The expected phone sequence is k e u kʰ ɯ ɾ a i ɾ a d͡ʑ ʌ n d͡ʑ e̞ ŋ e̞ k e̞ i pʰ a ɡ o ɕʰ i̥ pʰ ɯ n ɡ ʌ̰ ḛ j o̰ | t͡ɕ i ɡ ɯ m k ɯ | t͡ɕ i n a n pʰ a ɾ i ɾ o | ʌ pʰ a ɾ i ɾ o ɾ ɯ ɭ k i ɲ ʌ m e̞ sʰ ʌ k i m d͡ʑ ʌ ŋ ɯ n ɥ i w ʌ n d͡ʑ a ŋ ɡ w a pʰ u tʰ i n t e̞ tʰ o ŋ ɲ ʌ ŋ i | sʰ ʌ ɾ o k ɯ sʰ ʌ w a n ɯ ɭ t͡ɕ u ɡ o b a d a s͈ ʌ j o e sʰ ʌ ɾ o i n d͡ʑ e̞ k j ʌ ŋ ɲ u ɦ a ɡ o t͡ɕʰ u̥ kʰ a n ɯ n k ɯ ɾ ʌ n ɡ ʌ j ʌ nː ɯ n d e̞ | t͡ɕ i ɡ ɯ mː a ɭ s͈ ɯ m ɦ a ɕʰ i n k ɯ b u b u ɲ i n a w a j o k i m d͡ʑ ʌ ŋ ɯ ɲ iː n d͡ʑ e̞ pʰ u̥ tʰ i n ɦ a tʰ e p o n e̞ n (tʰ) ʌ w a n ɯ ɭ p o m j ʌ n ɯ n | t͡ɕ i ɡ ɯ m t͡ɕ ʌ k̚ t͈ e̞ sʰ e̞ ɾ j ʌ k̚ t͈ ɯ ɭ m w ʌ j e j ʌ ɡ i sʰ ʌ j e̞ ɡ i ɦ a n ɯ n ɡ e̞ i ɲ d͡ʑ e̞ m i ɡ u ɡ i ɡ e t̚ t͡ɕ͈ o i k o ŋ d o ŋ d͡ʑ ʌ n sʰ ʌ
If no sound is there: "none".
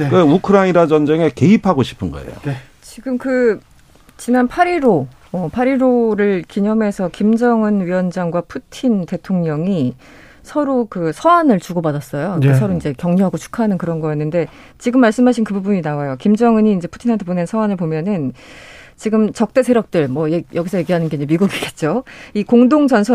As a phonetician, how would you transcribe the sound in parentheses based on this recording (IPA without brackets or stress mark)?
sʰ